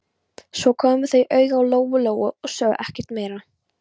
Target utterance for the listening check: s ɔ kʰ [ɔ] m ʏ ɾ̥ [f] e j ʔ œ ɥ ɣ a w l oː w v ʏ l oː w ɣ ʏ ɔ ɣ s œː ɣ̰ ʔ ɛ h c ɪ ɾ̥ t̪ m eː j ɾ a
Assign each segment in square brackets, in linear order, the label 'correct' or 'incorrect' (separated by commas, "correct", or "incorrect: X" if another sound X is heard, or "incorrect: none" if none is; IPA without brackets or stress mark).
incorrect: ɔː, incorrect: θ